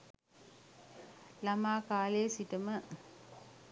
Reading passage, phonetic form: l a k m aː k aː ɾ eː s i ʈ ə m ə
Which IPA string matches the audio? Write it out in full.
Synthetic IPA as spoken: l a m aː k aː l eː s i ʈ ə m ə